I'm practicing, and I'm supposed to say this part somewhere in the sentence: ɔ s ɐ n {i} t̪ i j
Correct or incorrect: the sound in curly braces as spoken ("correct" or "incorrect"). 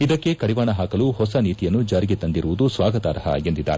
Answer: incorrect